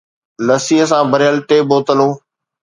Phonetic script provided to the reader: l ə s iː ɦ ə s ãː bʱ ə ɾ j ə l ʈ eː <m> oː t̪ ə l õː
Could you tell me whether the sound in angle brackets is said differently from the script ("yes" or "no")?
yes